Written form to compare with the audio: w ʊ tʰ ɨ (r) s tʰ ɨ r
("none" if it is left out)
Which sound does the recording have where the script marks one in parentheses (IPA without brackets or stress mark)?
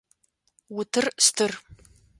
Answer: r